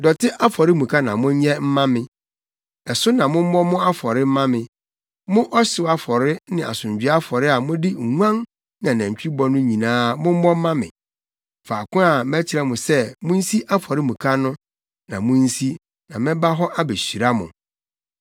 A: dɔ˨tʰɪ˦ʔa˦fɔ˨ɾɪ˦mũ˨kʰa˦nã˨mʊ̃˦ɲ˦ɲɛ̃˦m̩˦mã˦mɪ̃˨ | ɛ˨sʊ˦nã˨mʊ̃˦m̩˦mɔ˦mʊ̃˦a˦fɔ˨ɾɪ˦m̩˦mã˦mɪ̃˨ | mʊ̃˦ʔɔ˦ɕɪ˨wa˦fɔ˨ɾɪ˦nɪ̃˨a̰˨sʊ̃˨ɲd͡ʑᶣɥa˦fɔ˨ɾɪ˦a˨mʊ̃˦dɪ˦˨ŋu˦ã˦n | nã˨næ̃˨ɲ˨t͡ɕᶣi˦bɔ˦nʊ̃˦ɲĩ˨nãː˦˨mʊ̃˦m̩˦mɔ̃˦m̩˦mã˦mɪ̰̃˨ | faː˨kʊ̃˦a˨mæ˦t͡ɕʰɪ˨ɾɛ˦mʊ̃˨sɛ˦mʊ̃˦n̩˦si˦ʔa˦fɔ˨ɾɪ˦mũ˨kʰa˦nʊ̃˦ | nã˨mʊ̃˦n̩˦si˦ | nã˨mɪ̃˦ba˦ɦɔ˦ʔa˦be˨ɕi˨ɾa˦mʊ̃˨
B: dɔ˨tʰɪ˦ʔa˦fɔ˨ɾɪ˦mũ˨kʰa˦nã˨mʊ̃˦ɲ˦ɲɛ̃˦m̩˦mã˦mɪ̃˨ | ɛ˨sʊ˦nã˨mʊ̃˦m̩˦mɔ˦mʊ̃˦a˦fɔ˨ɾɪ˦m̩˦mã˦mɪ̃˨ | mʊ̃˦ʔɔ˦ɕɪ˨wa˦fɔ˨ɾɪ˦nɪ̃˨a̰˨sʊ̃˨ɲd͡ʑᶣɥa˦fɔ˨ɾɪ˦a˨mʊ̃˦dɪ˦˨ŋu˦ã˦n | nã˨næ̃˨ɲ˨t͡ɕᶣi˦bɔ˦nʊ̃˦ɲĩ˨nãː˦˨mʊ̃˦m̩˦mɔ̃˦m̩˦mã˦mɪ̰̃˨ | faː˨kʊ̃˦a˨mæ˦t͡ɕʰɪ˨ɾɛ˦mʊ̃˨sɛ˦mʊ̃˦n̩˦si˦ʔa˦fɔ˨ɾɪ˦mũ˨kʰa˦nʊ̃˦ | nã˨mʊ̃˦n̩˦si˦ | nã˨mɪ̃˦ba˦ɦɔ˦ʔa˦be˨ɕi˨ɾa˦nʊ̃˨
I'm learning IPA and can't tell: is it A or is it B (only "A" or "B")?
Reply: A